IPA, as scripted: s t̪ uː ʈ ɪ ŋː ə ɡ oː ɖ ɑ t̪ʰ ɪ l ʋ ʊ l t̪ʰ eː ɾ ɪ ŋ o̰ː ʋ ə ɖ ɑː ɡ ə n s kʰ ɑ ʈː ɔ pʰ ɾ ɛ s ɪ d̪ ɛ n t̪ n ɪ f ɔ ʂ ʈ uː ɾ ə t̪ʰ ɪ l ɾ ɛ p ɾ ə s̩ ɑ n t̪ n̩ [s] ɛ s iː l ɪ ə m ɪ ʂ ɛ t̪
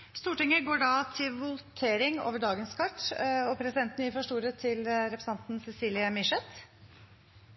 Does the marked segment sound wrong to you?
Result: no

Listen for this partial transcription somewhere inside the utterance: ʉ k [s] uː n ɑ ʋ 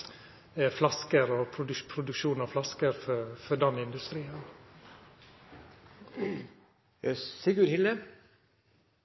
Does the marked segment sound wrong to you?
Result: yes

